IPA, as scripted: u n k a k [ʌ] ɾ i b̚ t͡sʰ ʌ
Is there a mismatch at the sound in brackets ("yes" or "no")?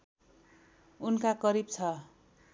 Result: no